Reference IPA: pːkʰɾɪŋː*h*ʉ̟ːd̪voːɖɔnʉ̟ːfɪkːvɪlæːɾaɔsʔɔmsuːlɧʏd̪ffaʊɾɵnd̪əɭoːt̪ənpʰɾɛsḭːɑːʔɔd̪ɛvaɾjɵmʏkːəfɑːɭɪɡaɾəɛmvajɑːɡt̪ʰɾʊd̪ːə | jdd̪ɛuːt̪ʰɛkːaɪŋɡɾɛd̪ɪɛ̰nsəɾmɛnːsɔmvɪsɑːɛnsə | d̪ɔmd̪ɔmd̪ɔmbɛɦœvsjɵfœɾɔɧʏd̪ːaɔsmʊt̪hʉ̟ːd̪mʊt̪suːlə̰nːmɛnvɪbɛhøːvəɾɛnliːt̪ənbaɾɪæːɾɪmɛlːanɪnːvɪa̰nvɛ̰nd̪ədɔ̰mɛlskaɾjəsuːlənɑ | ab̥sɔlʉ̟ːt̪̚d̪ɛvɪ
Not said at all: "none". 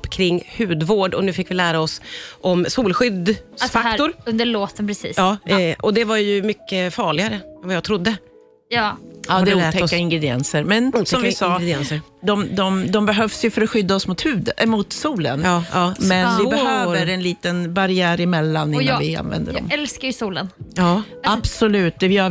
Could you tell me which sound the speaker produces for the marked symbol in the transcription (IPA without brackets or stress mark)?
h